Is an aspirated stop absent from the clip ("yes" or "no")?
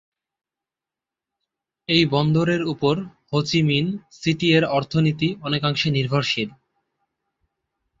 no